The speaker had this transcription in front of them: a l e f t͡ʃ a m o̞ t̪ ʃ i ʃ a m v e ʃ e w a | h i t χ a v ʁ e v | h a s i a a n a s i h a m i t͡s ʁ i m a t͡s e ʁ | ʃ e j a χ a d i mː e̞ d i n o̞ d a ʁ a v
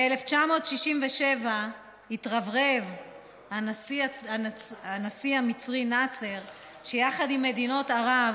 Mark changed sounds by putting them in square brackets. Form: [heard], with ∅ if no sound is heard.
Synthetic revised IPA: [e] l e f t͡ʃ a m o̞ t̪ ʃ i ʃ [i] m v e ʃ e [v] a | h i t [ʁ] a v ʁ e v | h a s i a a n a s i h a m i t͡s ʁ i [n] a t͡s e ʁ | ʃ e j a χ a d i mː e̞ d i n o̞ [t] a ʁ a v

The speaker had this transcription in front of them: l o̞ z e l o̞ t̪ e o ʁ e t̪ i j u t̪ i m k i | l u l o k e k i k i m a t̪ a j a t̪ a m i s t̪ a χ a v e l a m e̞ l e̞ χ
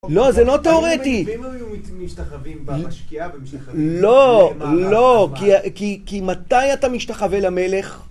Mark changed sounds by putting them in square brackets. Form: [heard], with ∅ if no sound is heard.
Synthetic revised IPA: l o̞ z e l o̞ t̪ e o ʁ e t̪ i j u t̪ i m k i | l [o] l o k [i] k i k i m a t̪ a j a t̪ a m i [ʃ] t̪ a χ a v e l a m e̞ l e̞ χ

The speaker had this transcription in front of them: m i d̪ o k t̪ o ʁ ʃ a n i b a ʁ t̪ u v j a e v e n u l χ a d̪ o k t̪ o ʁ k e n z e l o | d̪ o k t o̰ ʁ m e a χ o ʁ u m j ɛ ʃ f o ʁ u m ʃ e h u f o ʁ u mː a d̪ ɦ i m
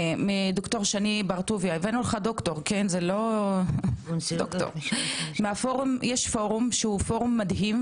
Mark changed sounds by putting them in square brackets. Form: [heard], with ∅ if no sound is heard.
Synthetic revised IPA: m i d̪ o k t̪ o ʁ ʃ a n i b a ʁ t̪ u v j a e v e n u l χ a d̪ o k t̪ o ʁ k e n z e l o | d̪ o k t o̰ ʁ m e a [f] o ʁ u m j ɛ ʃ f o ʁ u m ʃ e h u f o ʁ u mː a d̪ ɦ i m

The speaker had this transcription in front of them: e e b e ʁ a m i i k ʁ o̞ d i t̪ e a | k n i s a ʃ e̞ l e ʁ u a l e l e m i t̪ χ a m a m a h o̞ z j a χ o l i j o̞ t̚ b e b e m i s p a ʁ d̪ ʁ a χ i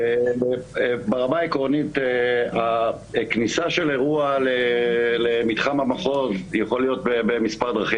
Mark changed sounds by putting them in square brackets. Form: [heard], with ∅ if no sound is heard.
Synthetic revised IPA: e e b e ʁ a m [a] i k ʁ o̞ [n] i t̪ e a | k n i s a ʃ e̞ l e ʁ u a l e l e m i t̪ χ a m a m a [χ] o̞ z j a χ o l i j o̞ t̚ b e b e m i s p a ʁ d̪ ʁ a χ i

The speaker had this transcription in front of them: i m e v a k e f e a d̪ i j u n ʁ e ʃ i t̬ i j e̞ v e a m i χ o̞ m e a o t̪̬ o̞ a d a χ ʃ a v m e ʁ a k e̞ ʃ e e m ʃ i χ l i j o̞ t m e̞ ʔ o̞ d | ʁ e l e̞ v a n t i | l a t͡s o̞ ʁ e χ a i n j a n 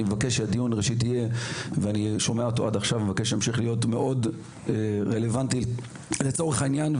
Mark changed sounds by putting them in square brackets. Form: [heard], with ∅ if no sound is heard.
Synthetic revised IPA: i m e v a k e [ʃ] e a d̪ i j u n ʁ e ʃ i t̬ i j e̞ v e a [n] i [ʃ] o̞ m e a o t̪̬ o̞ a d a χ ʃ a v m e [v] a k e̞ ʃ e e m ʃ i χ l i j o̞ t m e̞ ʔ o̞ d | ʁ e l e̞ v a n t i | l [e] t͡s o̞ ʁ e χ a i n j a n

